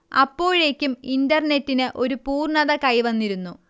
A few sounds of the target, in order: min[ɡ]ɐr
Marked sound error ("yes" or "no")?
yes